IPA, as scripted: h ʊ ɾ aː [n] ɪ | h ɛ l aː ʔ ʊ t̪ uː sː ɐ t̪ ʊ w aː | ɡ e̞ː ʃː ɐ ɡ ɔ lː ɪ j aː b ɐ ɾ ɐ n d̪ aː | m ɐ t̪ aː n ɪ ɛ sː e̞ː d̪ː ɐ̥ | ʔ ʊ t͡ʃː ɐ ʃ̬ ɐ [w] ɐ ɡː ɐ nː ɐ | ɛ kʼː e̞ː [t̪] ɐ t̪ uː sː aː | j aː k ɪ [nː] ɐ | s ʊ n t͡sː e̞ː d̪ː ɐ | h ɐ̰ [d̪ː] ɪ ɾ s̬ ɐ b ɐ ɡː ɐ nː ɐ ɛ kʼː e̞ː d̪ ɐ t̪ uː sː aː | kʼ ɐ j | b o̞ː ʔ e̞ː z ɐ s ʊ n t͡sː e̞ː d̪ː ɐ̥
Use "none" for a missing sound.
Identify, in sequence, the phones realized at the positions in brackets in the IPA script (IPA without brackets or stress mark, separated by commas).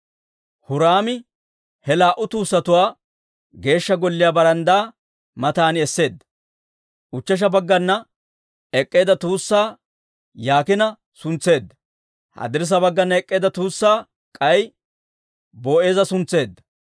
m, b, d̪, n, d̪